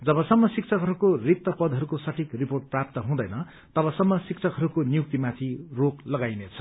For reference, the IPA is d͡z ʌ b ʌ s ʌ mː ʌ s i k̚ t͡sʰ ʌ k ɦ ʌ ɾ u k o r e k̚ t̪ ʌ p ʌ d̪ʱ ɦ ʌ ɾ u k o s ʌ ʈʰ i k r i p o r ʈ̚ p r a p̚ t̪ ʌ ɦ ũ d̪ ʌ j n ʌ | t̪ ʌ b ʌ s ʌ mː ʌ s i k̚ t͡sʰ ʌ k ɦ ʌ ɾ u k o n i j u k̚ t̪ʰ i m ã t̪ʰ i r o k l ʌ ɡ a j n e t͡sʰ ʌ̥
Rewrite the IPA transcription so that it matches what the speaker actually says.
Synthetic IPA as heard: d͡z ʌ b ʌ s ʌ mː ʌ s i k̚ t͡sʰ ʌ k ɦ ʌ ɾ u k o r i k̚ t̪ ʌ p ʌ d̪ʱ ɦ ʌ ɾ u k o s ʌ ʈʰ i k r i p o r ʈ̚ p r a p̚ t̪ ʌ ɦ ũ d̪ ʌ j n ʌ | t̪ ʌ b ʌ s ʌ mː ʌ s i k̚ t͡sʰ ʌ k ɦ ʌ ɾ u k o n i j u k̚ t̪ i m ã t̪ʰ i r o k l ʌ ɡ a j n e t͡sʰ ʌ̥